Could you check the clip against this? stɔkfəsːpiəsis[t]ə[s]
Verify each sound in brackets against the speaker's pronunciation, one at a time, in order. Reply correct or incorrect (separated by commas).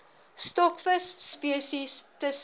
correct, correct